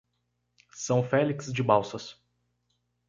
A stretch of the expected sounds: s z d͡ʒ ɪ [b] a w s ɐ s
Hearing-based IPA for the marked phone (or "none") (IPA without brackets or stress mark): b